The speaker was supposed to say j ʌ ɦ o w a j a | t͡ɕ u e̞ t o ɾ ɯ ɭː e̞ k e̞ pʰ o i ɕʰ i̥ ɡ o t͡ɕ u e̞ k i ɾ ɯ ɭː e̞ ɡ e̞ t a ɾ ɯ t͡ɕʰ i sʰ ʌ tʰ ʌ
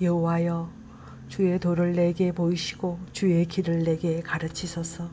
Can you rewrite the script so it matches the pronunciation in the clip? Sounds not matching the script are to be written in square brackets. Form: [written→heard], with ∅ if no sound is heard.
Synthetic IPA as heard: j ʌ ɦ o w a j [a→ʌ] | t͡ɕ u e̞ t o ɾ ɯ ɭː e̞ [k→ɡ] e̞ [pʰ→p] o i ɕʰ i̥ ɡ o t͡ɕ u e̞ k i ɾ ɯ ɭː e̞ ɡ e̞ [t→k] a ɾ ɯ t͡ɕʰ i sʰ ʌ [tʰ→sʰ] ʌ